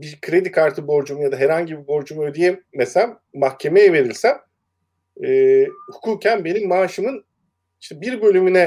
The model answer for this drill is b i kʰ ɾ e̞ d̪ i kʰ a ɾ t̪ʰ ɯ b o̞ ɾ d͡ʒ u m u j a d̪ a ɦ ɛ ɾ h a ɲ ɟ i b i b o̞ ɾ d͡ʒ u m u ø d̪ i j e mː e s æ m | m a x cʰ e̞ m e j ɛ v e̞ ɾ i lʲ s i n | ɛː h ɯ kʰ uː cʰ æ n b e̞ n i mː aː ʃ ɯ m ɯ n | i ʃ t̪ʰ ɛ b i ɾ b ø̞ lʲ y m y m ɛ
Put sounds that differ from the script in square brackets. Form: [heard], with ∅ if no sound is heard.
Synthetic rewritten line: b i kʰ ɾ e̞ d̪ i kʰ a ɾ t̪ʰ ɯ b o̞ ɾ d͡ʒ u m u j a d̪ a ɦ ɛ ɾ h a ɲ ɟ i b i b o̞ ɾ d͡ʒ u m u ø d̪ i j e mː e s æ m | m a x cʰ e̞ m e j ɛ v e̞ ɾ i lʲ s [æ] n | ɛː h [u] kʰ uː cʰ æ n b e̞ n i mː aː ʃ ɯ m ɯ n | i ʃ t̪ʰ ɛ b i ɾ b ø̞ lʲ y m y [n] ɛ